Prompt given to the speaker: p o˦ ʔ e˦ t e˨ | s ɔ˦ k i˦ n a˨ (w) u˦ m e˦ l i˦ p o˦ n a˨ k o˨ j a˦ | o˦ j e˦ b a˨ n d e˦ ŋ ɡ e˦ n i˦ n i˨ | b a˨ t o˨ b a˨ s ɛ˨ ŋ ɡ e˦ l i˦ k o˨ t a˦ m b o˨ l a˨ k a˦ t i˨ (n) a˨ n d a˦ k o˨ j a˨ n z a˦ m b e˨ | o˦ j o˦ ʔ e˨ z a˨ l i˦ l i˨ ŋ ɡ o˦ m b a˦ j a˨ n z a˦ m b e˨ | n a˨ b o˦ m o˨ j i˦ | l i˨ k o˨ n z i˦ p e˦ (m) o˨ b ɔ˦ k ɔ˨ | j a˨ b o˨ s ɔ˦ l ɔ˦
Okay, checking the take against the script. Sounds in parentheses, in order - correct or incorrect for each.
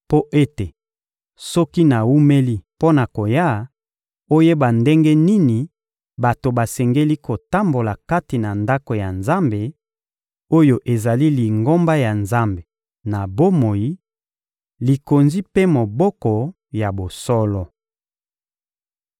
correct, correct, correct

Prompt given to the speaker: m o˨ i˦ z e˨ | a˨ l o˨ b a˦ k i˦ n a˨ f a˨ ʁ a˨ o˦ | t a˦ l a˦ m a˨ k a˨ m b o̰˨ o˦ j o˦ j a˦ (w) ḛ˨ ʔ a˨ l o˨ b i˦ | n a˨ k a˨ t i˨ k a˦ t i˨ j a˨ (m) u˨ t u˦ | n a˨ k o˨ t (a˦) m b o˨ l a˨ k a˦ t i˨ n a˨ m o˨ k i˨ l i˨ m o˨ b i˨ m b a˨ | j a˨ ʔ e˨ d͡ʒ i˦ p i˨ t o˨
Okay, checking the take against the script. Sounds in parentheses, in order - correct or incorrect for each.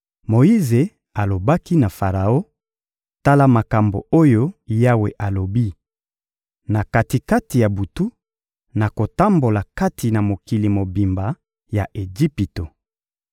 correct, incorrect: b, correct

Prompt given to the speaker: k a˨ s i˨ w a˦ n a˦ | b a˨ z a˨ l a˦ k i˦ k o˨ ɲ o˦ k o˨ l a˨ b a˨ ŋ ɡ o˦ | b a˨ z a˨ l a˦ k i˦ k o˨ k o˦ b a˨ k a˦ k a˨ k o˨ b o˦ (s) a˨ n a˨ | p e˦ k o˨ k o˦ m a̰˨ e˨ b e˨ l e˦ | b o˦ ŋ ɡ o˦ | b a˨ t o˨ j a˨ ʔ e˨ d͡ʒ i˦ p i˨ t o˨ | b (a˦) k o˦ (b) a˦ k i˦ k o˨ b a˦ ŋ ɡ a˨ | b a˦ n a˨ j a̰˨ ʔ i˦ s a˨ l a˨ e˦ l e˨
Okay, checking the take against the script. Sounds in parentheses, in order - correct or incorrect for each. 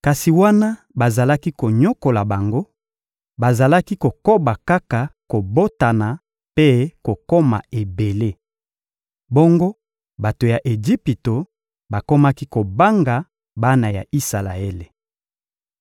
incorrect: t, incorrect: a˨, incorrect: m

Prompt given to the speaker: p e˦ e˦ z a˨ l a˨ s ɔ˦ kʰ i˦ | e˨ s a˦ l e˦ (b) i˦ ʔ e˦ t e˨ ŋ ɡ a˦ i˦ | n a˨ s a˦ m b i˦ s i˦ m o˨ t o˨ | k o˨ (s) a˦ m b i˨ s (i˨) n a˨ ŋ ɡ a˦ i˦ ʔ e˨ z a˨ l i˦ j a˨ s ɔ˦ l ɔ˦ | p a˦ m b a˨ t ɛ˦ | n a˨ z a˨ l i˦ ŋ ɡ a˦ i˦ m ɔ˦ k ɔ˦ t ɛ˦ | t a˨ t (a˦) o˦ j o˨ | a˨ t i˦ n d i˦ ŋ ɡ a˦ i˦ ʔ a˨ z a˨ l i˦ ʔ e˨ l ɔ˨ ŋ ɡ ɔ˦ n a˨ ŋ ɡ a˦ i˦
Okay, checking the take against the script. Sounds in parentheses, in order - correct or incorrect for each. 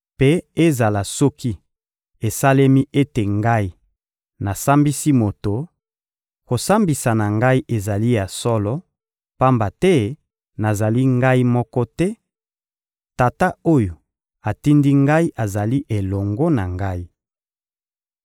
incorrect: m, correct, incorrect: a˨, correct

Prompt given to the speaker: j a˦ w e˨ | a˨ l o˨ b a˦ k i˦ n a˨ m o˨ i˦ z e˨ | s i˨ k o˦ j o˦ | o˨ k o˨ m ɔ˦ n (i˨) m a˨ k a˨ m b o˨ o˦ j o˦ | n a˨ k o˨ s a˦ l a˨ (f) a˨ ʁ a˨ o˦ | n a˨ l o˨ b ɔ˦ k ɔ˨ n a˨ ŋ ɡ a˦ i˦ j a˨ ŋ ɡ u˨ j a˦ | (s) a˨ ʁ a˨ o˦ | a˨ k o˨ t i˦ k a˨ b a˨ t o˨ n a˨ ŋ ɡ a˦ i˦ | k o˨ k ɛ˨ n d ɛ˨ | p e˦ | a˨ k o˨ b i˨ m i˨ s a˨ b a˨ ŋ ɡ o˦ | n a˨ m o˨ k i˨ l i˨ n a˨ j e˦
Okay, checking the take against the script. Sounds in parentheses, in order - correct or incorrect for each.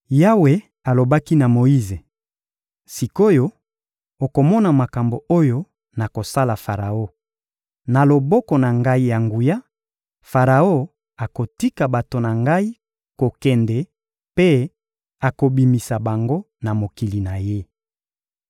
incorrect: a˨, correct, incorrect: f

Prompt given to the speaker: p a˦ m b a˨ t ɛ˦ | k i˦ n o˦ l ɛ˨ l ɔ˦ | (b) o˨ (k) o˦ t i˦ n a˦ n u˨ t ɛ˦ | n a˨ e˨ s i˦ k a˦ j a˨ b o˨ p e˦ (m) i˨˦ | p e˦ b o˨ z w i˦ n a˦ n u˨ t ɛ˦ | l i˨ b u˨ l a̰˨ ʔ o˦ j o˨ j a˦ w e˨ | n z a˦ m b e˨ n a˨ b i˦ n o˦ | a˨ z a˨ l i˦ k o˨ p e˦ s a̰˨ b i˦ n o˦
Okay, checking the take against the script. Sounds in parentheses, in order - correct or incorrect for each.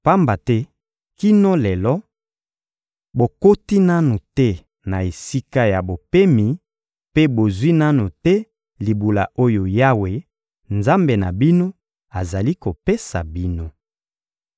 correct, correct, correct

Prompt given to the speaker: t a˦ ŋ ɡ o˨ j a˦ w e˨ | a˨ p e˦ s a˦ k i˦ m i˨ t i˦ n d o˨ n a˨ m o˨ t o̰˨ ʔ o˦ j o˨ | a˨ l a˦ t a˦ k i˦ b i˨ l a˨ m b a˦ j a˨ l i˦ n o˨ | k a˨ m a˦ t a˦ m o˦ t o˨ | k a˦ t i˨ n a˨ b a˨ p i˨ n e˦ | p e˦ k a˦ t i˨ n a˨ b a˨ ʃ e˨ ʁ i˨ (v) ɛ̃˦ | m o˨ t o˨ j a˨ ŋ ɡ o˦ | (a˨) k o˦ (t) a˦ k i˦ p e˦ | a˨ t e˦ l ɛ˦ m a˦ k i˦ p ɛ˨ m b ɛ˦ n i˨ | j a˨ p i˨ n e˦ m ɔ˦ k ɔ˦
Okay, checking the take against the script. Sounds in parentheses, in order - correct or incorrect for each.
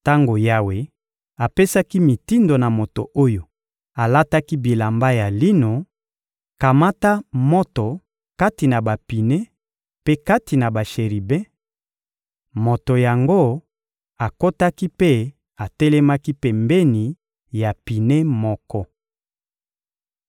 incorrect: b, correct, correct

